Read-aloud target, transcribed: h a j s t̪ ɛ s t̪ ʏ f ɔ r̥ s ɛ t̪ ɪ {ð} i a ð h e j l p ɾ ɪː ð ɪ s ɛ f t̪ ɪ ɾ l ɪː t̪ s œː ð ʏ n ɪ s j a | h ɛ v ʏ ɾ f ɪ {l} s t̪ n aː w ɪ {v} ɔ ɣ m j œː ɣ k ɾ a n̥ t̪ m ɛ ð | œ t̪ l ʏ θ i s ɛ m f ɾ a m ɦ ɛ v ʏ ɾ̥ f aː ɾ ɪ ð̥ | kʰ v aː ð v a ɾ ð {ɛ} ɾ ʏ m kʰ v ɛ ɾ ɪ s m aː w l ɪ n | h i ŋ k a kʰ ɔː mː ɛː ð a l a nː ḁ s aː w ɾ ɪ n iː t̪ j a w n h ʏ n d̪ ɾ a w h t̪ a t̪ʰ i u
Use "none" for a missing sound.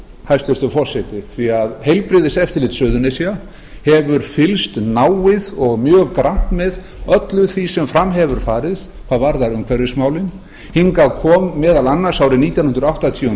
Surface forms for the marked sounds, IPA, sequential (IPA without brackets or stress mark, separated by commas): θ, l, ð, a